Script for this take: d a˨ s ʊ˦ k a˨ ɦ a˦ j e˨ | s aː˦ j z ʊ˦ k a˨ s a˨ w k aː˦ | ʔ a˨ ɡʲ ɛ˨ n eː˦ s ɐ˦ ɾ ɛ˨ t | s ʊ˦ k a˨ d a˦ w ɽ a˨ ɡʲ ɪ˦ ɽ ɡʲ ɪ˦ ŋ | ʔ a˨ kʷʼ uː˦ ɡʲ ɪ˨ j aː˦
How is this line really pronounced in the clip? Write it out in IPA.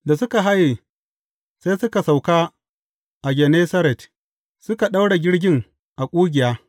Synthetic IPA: d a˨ s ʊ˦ k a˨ ɦ a˦ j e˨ | s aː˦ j s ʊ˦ k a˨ s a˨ w k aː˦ | ʔ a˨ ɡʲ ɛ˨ n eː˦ s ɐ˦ ɾ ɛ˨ t | s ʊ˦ k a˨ ɗ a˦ w ɽ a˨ ɡʲ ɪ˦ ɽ ɡʲ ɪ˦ ŋ | ʔ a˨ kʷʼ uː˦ ɡʲ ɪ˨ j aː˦